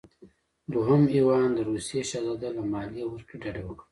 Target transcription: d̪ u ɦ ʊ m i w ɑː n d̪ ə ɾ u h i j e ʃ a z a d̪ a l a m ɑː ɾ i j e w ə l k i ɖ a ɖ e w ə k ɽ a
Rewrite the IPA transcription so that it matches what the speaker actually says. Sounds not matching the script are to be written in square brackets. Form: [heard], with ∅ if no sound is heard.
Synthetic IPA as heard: d̪ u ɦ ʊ m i w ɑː n d̪ ə ɾ u [s] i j e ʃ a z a d̪ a l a m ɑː [l] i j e w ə [ɾ] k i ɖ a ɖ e w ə k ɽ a